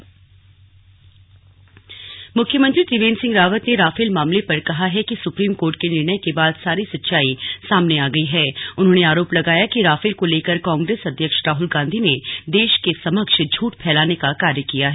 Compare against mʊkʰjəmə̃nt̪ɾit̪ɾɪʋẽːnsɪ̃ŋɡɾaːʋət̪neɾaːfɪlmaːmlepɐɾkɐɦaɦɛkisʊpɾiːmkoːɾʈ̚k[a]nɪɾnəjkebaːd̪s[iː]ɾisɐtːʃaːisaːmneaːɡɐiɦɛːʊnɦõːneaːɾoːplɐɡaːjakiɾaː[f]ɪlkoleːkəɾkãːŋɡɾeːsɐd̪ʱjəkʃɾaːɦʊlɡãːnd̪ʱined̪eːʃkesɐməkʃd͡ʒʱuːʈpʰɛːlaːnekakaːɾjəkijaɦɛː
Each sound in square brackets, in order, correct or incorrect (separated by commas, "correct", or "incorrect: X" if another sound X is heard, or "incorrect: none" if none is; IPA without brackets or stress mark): incorrect: e, incorrect: aː, correct